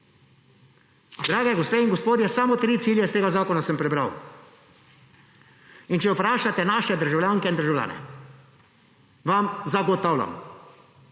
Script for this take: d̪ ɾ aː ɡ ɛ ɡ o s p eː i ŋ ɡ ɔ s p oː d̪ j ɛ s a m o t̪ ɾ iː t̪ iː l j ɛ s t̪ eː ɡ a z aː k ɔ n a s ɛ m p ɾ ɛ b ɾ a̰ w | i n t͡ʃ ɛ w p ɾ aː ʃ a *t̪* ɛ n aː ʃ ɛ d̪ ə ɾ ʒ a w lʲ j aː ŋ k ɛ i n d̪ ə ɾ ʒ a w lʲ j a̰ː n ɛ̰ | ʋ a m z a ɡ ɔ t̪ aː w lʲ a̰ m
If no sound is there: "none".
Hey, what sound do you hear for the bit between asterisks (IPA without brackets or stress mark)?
t̪